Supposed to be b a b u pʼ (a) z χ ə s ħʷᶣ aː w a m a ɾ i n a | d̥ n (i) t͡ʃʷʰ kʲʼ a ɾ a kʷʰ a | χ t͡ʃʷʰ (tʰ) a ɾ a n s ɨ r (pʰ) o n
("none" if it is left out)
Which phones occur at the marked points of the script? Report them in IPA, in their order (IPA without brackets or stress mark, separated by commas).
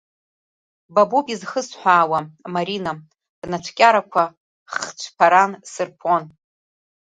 i, a, pʰ, pʰ